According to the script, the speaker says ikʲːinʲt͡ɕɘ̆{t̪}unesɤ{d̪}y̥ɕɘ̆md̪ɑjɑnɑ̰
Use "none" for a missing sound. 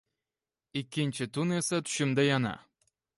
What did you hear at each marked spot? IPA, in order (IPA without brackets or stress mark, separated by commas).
t̪, t̪